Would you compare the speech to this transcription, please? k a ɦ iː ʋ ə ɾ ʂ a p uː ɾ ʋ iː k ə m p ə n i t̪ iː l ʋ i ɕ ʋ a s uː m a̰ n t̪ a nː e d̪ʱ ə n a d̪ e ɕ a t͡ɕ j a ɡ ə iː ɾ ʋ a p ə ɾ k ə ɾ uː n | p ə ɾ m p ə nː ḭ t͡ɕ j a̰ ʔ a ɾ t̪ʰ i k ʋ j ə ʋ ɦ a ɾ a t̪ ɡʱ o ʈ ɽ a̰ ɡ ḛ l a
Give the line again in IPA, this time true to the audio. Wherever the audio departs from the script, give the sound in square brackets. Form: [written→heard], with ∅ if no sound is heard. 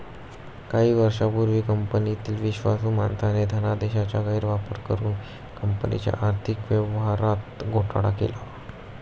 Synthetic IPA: k a ɦ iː ʋ ə ɾ ʂ a p [uː→u] ɾ ʋ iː k ə m p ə n i t̪ iː l ʋ i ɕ ʋ a s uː m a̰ n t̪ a [nː→n] e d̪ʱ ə n a d̪ e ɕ a t͡ɕ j a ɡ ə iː ɾ ʋ a p ə ɾ k ə ɾ uː n | [p→k] ə [ɾ→∅] m p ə [nː→n] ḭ t͡ɕ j a̰ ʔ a ɾ t̪ʰ i k ʋ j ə ʋ ɦ a ɾ a t̪ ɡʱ o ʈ ɽ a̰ [ɡ→k] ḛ l a